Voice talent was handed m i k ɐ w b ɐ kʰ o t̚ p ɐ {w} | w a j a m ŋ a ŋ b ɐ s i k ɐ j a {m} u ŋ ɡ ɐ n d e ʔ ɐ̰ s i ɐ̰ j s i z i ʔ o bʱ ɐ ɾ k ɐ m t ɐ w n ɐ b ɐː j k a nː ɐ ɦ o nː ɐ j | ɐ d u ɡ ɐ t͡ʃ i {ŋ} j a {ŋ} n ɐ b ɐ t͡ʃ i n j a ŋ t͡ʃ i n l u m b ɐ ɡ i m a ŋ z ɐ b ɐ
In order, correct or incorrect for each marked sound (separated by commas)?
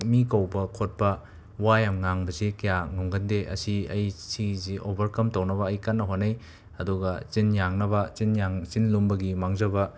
incorrect, incorrect, incorrect, correct